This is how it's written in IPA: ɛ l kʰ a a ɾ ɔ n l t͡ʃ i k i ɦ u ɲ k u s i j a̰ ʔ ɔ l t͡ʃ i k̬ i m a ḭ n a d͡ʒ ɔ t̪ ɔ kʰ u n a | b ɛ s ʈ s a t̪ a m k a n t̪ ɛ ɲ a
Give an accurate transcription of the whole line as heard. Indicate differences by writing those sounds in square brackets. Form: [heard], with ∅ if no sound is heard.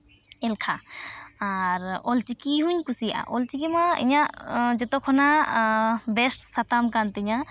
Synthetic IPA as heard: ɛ l kʰ a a ɾ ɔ [∅] l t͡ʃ i k i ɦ u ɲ k u s i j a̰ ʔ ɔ l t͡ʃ i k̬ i m a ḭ [ɲ] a d͡ʒ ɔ t̪ ɔ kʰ [ɔ] n a | b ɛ s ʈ s a t̪ a m k a n t̪ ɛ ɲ a